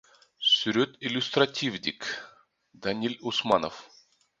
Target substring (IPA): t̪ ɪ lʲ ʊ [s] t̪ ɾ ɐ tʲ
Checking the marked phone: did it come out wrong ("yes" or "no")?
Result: no